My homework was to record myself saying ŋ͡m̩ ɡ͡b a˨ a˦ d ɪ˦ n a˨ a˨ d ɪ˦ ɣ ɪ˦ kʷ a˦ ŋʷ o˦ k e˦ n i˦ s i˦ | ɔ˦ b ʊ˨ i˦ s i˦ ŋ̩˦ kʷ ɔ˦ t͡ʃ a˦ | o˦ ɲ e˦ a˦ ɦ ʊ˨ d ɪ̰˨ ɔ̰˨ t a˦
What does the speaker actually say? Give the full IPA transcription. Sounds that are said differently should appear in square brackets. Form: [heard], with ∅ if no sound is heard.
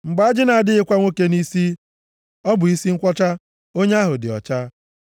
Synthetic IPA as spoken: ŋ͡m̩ ɡ͡b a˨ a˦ [d͡ʒ] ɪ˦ n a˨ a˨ d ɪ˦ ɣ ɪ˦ kʷ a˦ ŋʷ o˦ k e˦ n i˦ s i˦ | ɔ˦ b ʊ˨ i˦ s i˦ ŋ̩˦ kʷ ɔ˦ t͡ʃ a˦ | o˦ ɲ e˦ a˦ ɦ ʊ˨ d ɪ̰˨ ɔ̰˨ [t͡ʃ] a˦